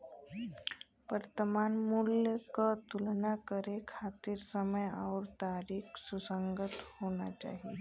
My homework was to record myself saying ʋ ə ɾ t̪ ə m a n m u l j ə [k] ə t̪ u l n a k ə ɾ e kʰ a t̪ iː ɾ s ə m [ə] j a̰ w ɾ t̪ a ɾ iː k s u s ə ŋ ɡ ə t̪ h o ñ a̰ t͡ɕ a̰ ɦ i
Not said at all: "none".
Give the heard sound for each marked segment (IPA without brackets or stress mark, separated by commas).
k, ə